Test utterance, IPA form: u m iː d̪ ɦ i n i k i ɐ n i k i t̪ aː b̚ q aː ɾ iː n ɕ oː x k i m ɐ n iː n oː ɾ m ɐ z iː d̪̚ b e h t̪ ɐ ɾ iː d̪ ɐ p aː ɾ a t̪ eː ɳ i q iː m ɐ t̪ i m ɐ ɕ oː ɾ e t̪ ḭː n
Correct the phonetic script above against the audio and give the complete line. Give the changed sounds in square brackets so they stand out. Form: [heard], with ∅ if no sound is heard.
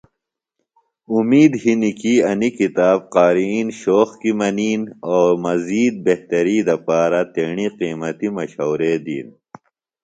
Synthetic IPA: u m iː d̪ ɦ i n i k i ɐ n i k i t̪ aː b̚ q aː ɾ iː n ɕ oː x k i m ɐ n iː n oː ɾ m ɐ z iː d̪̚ b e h t̪ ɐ ɾ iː d̪ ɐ p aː ɾ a t̪ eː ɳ i q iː m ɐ t̪ i m ɐ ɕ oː ɾ e [d̪] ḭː n